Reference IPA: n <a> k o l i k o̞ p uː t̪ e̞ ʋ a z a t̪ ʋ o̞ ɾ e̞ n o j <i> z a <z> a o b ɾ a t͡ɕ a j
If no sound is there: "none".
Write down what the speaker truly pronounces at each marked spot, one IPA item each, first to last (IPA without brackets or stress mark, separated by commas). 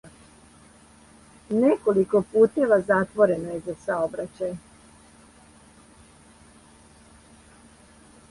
e, e, s